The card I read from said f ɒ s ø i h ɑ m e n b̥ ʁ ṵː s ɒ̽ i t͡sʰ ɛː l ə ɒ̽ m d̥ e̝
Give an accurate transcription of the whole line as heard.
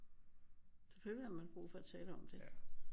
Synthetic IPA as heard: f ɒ f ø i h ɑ m æ n b̥ ʁ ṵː f ɒ̽ æ t͡sʰ ɛː l ə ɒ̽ m d̥ e̝

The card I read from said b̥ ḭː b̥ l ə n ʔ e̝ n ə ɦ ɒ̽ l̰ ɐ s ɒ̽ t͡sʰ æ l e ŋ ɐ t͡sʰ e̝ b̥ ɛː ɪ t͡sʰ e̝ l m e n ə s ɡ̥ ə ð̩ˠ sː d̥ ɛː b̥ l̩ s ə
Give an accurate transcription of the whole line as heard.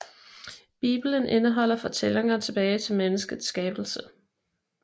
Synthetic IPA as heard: b̥ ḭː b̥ l ə n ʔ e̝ n ə ɦ ɒ̽ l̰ ɐ f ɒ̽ t͡sʰ e l e ŋ ɐ t͡sʰ e̝ b̥ ɛː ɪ t͡sʰ e̝ l m e n ə s ɡ̥ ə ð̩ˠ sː ɡ̥ ɛː b̥ l̩ s ə

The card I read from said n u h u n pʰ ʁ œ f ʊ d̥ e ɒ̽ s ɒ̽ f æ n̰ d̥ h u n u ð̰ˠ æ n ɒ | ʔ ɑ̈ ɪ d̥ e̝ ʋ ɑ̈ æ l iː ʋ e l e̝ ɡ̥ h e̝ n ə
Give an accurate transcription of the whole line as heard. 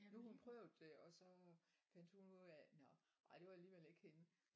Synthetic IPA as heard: n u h u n pʰ ʁ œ ʊ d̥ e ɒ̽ s ɒ̽ f æ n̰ d̥ h u n u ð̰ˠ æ n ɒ | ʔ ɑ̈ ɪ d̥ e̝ ʋ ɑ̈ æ l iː ʋ e l e̝ ɡ̥ h e̝ n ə

